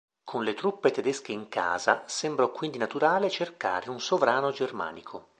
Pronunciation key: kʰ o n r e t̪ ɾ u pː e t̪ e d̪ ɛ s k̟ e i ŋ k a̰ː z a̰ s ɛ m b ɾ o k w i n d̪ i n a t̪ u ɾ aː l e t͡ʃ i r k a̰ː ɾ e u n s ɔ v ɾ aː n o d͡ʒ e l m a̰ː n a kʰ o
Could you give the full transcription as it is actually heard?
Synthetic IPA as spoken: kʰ o n l e t̪ ɾ u pː e t̪ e d̪ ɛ s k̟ e i ŋ k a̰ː z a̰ s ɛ m b ɾ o k w i n d̪ i n a t̪ u ɾ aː l e t͡ʃ e r k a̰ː ɾ e u n s o v ɾ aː n o d͡ʒ e r m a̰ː n i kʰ o

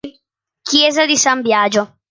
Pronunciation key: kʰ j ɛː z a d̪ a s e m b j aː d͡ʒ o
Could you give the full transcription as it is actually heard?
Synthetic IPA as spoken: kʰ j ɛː z a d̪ i s a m b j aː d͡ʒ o

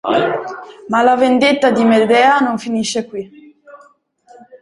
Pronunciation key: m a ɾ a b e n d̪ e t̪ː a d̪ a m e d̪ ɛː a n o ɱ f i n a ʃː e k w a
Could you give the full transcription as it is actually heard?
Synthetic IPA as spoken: m a l a v e n d̪ e t̪ː a d̪ i m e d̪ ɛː a n o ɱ f i n i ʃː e k w i

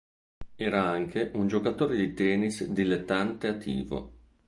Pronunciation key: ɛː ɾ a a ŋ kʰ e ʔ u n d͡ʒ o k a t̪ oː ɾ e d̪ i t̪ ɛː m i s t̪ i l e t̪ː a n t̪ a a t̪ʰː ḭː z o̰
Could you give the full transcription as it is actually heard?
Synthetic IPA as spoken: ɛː ɾ a a ŋ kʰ e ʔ u n d͡ʒ o k a t̪ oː ɾ e d̪ i t̪ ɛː n i s d̪ i l e t̪ː a n t̪ e a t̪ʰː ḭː v o̰

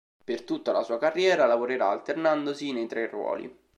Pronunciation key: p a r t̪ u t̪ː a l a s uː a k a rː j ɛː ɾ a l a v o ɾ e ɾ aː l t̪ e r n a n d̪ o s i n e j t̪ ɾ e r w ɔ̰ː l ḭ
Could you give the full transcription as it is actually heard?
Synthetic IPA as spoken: p e r t̪ u t̪ː a l a s uː a k a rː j ɛː ɾ a l a v o ɾ e ɾ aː l t̪ e r n a n d̪ o s i n e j t̪ ɾ e r w ɔ̰ː l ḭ

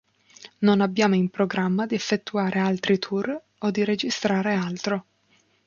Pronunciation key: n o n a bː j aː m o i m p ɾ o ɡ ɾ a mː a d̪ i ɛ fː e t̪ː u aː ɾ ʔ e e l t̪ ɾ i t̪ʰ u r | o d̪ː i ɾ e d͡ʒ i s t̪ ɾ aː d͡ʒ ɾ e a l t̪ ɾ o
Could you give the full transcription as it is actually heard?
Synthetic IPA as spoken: n o n a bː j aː m o i m p ɾ o ɡ ɾ a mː a d̪ i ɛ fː e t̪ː u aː ɾ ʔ e a l t̪ ɾ i t̪ʰ u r | o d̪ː i ɾ e d͡ʒ i s t̪ ɾ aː ɾ e a l t̪ ɾ o

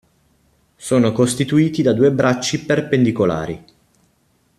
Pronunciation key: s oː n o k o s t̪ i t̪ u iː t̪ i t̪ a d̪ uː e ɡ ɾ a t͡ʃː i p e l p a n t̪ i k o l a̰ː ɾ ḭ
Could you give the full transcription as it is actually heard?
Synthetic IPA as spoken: s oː n o k o s t̪ i t̪ u iː t̪ i d̪ a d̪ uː e b ɾ a t͡ʃː i p e r p e n d̪ i k o l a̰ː ɾ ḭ

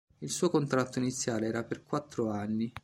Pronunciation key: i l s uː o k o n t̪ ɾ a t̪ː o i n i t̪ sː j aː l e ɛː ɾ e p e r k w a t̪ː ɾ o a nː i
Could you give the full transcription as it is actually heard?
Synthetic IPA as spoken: i l s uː o k o n t̪ ɾ a t̪ː o i n i t̪ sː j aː l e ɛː ɾ a p e r k w a t̪ː ɾ o a nː i

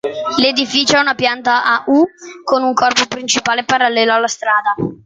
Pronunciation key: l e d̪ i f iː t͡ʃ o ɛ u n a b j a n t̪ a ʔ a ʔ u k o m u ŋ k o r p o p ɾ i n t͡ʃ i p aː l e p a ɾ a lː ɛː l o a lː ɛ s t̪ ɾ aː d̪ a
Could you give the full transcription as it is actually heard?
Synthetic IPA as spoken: l e d̪ i f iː t͡ʃ o ɛ u n a p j a n t̪ a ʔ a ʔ u k o n u ŋ k ɔ r p o p ɾ i n t͡ʃ i p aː l e p a ɾ a lː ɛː l o a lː a s t̪ ɾ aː d̪ a

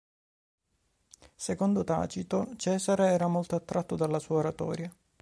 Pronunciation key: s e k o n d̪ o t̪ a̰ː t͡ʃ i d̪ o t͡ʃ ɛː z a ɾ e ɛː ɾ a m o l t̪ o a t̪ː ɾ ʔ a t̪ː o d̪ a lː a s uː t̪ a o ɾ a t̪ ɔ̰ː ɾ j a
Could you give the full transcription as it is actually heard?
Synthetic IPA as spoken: s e k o n d̪ o t̪ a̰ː t͡ʃ i t̪ o t͡ʃ ɛː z a ɾ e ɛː ɾ a m o l t̪ o a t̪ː ɾ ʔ a t̪ː o d̪ a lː a s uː a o ɾ a t̪ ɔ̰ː ɾ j a

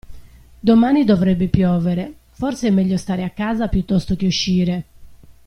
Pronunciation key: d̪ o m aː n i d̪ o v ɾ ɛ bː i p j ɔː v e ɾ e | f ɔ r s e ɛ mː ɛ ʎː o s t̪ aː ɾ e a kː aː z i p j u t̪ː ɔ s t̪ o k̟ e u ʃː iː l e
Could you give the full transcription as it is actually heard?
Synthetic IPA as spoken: d̪ o m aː n i d̪ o v ɾ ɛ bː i p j ɔː v e ɾ e | f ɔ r s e ɛ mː ɛ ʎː o s t̪ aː ɾ e a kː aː z a p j u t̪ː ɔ s t̪ o k̟ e u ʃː iː ɾ e

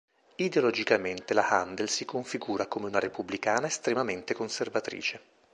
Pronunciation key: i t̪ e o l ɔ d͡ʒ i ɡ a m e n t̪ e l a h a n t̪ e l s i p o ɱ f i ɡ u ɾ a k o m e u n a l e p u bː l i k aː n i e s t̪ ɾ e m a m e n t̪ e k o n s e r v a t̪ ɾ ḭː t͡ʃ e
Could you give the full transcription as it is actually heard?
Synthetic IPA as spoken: i d̪ e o l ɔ d͡ʒ i k a m e n t̪ e l a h a n d̪ e l s i k o ɱ f i ɡ uː ɾ a k o m e u n a ɾ e p u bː l i k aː n a e s t̪ ɾ e m a m e n t̪ e k o n s e r v a t̪ ɾ ḭː t͡ʃ e

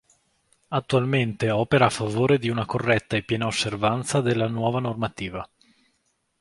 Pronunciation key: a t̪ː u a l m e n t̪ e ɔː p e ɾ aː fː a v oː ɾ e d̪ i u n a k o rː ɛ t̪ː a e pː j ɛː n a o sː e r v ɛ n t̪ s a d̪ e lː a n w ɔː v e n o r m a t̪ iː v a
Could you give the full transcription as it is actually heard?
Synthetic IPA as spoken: a t̪ː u a l m e n t̪ e ɔː p e ɾ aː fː a v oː ɾ e d̪ i u n a k o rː ɛ t̪ː a e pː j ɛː n a o sː e r v a n t̪ s a d̪ e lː a n w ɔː v a n o r m a t̪ iː v a

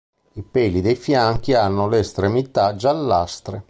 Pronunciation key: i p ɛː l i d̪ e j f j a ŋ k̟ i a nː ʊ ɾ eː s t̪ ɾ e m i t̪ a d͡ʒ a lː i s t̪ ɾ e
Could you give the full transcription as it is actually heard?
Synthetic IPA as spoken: i p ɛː l i d̪ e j f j a ŋ k̟ i a nː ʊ l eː s t̪ ɾ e m i t̪ a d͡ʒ a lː a s t̪ ɾ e

